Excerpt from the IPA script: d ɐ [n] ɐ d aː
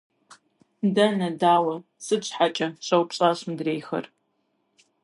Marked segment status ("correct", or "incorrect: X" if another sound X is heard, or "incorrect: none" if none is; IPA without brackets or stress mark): correct